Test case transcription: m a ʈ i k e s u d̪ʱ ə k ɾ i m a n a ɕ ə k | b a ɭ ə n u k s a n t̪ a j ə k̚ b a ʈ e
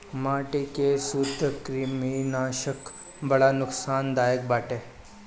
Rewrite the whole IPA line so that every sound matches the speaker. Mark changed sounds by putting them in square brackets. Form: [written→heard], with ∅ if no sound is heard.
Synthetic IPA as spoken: m a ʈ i k e s u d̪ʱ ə k ɾ i m [a→i] n a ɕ ə k | b [a→ə] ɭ [ə→a] n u k s a n [t̪→d̪] a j ə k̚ b a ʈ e